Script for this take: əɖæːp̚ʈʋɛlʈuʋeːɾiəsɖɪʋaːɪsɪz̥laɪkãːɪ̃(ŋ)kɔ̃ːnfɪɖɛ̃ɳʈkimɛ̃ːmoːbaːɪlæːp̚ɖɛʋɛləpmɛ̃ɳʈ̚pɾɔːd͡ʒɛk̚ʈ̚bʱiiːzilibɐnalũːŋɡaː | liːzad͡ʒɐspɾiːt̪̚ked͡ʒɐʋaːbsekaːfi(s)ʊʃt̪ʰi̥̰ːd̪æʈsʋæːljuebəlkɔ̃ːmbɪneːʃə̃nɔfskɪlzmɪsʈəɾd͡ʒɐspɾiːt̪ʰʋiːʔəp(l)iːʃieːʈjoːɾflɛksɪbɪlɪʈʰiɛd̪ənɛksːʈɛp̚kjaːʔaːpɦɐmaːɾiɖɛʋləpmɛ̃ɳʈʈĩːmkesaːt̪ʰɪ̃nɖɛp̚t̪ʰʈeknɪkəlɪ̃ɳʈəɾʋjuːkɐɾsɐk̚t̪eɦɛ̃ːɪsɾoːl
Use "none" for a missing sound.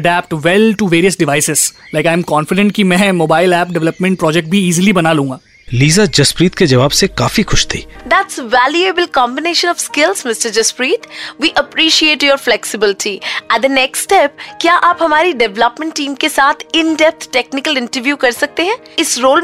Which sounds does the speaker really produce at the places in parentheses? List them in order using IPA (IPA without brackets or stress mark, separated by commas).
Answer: m, x, ɾ